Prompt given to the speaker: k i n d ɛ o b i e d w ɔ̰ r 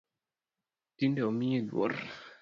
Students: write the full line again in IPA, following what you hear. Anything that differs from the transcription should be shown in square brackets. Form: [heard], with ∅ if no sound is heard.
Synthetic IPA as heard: [t] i n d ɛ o [m] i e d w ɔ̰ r